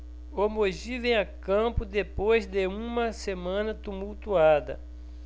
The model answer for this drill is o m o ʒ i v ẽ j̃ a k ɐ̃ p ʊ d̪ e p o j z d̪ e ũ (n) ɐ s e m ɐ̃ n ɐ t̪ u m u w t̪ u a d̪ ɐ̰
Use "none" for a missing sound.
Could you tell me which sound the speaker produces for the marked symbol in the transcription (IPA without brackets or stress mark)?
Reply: m